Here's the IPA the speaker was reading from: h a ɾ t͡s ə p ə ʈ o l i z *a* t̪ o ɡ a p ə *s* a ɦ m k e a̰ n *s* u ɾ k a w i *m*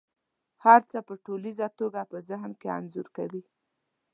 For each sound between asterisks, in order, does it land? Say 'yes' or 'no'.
yes, no, no, no

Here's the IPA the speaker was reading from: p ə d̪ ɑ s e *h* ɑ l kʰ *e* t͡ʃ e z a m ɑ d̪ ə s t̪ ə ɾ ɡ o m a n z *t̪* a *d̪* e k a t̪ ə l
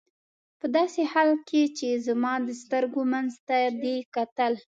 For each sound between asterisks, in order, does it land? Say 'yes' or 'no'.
yes, yes, yes, yes

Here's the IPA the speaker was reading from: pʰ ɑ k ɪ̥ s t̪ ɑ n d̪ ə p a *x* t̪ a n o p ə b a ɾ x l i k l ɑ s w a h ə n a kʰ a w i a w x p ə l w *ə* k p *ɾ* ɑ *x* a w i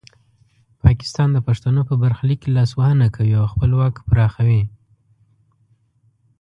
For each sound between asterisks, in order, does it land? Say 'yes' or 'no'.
no, no, yes, yes

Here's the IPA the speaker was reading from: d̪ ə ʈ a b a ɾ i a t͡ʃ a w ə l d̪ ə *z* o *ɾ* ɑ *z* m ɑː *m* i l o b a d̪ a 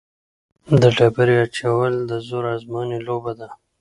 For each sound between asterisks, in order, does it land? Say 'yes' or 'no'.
yes, yes, yes, no

